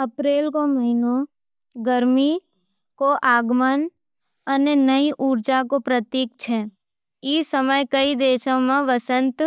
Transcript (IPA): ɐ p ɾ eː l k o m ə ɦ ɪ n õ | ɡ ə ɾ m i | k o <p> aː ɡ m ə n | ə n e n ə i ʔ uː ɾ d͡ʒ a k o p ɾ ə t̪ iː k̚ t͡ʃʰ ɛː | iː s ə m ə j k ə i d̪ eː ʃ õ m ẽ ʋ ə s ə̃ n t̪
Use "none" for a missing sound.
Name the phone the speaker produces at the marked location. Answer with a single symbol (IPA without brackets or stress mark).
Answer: ʔ